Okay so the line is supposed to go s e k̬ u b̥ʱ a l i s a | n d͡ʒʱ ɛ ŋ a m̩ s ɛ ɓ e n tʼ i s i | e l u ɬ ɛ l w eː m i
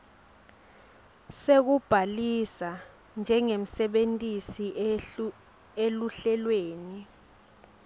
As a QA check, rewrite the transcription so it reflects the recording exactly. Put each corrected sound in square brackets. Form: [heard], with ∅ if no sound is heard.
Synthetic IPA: s e k̬ u b̥ʱ a l i s a | n d͡ʒʱ ɛ ŋ [e] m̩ s ɛ ɓ e n tʼ i s i | e l u ɬ ɛ l w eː [n] i

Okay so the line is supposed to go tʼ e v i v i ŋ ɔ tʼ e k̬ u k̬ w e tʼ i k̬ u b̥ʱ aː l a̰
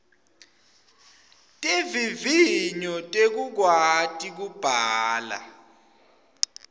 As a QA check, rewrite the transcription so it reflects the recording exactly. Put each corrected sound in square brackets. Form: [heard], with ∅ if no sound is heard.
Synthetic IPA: tʼ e v i v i [ɲ] ɔ tʼ e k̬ u k̬ w [a] tʼ i k̬ u b̥ʱ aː l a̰

